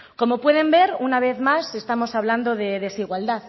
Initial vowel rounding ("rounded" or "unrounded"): rounded